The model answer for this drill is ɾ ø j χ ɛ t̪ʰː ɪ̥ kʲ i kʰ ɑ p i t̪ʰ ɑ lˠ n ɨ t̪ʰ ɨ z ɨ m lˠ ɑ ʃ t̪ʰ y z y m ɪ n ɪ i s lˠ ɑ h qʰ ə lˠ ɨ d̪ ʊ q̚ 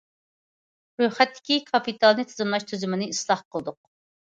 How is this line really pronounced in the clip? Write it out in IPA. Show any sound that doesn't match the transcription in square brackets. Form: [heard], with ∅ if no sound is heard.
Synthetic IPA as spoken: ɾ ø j χ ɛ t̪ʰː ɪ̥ kʲ i kʰ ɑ p i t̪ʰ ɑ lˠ n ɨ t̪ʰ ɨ z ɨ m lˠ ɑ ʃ t̪ʰ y z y m ɪ n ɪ i s lˠ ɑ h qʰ ə lˠ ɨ d̪ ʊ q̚